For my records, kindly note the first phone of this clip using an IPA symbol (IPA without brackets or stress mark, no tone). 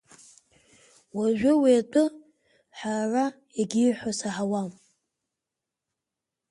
w